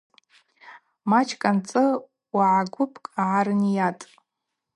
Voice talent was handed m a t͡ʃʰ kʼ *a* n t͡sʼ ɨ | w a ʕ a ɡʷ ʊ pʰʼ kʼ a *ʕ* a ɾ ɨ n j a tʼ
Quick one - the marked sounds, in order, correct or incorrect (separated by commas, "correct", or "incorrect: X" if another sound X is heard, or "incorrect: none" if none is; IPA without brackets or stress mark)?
correct, correct